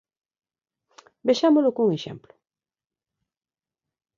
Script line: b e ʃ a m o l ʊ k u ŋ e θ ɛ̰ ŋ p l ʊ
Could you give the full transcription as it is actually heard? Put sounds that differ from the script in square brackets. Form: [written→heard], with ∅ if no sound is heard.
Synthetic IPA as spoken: b e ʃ a m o l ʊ k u ŋ e [θ→ʃ] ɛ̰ [ŋ→m] p l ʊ

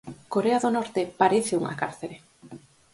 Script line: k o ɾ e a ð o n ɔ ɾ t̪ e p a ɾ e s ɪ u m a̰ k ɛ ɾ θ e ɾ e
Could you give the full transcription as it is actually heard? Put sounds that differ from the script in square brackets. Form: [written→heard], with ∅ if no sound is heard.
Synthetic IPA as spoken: k o ɾ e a ð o n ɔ ɾ t̪ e p a ɾ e [s→θ] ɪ u [m→ŋ] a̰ k [ɛ→a] ɾ θ e ɾ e

